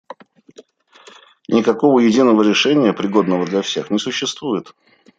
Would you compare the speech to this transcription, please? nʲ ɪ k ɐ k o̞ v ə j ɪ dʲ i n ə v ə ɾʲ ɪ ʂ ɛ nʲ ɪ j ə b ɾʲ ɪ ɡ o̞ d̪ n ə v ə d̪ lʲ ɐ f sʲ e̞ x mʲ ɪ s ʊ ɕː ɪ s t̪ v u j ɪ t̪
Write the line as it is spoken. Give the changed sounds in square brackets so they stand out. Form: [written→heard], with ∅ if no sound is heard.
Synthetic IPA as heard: nʲ ɪ k ɐ k o̞ v ə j ɪ dʲ i n ə v ə ɾʲ ɪ ʂ ɛ nʲ ɪ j ə [b→p] ɾʲ ɪ ɡ o̞ d̪ n ə v ə d̪ lʲ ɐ f sʲ e̞ x [mʲ→nʲ] ɪ s ʊ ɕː ɪ s t̪ v u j ɪ t̪